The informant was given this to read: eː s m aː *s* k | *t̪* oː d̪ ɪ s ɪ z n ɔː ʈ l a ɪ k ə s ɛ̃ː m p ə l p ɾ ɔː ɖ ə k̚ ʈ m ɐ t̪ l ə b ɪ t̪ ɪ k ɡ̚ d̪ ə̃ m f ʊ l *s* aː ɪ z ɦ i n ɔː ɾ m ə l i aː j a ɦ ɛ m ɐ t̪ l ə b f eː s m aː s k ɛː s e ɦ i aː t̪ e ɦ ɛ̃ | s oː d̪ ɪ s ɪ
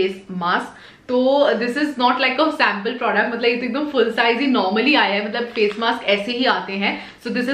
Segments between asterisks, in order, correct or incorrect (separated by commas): correct, correct, correct